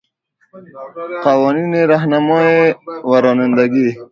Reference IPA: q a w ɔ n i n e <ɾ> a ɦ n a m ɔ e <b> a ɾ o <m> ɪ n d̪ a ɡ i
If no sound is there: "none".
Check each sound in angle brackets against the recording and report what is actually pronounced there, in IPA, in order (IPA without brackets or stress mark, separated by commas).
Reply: ɾ, w, n